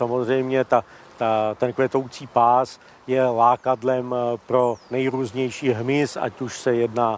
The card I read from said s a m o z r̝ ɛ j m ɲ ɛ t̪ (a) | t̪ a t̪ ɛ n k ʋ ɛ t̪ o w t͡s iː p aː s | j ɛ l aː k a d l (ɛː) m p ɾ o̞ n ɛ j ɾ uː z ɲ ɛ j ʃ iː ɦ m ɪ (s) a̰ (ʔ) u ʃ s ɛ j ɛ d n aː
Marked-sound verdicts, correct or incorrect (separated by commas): correct, incorrect, correct, incorrect